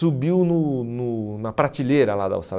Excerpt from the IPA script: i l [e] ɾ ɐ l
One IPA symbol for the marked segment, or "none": e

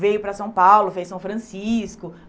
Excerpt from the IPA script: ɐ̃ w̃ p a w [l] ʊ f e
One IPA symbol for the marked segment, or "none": l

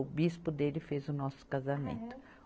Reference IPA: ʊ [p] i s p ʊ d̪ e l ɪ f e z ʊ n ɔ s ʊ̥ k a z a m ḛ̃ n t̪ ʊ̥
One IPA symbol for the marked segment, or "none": b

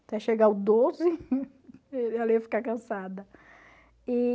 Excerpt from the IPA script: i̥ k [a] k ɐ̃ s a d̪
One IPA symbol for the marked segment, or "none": a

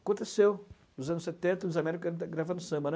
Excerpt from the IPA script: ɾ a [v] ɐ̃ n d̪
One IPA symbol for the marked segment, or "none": v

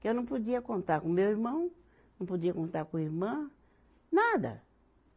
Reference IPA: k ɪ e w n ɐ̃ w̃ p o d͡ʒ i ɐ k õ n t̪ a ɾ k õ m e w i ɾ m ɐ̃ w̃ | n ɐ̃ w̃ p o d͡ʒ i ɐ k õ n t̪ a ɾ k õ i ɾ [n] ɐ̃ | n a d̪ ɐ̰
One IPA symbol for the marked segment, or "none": m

